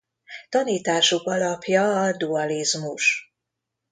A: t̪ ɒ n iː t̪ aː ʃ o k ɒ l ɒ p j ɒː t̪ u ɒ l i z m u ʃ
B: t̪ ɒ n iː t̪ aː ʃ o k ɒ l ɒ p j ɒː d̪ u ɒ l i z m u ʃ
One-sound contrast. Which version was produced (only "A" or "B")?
B